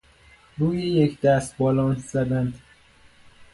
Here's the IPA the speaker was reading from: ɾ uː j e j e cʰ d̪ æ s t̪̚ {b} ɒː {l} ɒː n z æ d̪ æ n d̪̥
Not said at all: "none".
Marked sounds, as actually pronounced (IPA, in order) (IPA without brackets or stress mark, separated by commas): b, l